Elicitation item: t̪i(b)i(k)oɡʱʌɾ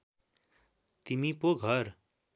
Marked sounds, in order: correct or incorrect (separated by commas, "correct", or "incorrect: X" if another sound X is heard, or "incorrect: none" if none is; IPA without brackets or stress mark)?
incorrect: m, incorrect: p